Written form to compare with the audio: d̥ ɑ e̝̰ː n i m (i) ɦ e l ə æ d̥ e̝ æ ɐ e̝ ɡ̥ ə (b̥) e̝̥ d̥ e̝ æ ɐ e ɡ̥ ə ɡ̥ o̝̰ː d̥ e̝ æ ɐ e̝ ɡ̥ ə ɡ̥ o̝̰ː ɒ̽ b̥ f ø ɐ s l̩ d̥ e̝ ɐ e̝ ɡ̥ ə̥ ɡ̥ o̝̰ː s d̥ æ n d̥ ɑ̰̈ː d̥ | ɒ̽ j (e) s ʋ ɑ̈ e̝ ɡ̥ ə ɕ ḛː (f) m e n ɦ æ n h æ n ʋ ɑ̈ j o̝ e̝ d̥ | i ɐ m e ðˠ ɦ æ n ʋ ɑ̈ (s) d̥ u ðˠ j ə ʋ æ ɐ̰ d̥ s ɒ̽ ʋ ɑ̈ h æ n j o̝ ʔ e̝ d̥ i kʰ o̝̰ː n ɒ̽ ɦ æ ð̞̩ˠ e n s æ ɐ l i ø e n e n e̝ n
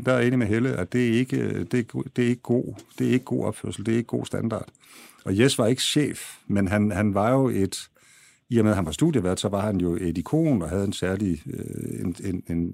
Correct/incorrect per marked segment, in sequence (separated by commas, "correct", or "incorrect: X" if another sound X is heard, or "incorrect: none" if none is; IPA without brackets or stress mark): incorrect: e, incorrect: d̥, correct, correct, correct